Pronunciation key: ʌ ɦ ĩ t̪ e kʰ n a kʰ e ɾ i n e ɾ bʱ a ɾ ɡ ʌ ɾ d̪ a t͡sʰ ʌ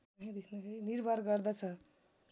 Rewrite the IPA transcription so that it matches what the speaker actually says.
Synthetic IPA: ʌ ɦ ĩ d̪ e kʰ n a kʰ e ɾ i n i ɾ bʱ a ɾ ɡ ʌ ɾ d̪ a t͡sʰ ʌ